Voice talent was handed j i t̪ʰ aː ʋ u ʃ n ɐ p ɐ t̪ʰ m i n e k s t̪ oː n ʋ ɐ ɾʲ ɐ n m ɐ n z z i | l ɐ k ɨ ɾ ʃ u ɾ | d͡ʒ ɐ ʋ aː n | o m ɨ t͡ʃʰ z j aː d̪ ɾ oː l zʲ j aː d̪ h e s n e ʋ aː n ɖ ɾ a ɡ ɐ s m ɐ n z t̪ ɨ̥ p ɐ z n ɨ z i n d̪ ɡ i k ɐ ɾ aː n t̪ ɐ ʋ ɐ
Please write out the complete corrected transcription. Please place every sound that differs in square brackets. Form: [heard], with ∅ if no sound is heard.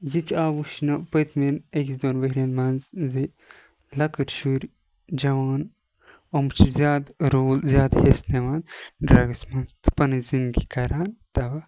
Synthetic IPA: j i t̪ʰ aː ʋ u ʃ n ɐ p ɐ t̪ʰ m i n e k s [d̪] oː n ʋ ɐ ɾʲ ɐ n m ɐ n z z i | l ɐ k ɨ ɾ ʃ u ɾ | d͡ʒ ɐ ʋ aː n | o m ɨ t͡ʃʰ z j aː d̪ ɾ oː l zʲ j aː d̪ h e s n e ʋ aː n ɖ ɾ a ɡ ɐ s m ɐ n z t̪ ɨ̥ p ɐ [∅] n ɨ z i n d̪ ɡ i k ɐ ɾ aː n t̪ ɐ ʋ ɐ